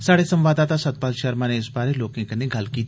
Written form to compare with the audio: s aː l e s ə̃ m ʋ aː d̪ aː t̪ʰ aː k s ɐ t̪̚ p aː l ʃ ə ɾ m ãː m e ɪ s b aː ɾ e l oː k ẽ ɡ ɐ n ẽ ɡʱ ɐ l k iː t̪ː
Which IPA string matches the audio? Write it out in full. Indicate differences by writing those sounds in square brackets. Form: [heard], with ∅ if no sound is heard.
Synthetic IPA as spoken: s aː [ɽ] e s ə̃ m ʋ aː d̪ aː [t̪] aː [∅] s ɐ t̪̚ p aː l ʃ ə ɾ m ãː [n] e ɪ s b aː ɾ e l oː k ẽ [k] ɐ n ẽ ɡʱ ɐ l k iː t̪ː